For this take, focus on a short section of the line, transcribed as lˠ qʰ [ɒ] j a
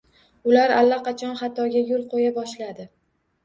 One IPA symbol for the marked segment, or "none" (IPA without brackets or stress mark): o